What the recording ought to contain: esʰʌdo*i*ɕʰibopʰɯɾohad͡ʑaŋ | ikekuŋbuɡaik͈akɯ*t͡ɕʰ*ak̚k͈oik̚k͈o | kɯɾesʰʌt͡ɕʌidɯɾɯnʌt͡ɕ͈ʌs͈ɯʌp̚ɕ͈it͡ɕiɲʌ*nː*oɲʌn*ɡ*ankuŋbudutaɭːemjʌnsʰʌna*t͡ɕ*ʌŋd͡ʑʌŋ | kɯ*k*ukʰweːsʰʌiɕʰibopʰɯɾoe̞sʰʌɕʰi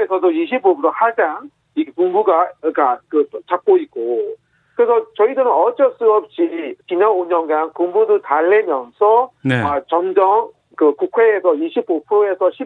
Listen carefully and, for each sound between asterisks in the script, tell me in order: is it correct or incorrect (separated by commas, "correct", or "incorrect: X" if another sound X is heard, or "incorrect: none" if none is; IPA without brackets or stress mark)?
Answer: correct, incorrect: t͡ɕ, incorrect: n, correct, correct, correct